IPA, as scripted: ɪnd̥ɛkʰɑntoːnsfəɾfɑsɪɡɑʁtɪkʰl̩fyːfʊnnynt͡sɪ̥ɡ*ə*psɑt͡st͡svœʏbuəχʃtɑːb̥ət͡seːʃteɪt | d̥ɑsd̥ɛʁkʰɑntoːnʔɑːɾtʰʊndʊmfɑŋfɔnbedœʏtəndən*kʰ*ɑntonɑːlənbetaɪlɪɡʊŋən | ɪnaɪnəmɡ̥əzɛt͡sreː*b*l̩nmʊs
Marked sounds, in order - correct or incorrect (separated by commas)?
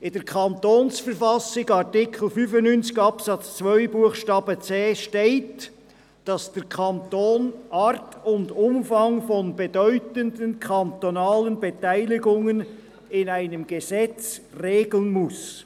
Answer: incorrect, correct, incorrect